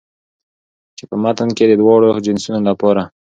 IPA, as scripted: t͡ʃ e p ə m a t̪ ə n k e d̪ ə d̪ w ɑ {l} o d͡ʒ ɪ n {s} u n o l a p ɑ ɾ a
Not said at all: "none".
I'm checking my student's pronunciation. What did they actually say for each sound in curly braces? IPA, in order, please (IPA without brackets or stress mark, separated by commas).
ɽ, s